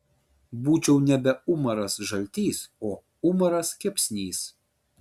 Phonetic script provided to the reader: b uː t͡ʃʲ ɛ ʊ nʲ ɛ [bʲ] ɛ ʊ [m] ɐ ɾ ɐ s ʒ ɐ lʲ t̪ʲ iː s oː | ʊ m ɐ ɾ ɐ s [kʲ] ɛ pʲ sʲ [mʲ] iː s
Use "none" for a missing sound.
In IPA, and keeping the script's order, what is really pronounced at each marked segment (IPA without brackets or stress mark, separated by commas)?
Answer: bʲ, m, kʲ, nʲ